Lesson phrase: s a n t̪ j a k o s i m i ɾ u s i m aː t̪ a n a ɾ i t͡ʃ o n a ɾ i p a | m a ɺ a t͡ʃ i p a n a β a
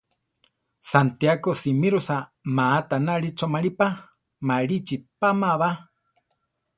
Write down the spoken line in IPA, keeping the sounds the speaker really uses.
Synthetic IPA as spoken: s a n t̪ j a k o s i m i ɾ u s a m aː t̪ a n a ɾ i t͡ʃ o m a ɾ i p a | m a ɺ i t͡ʃ i p a m a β a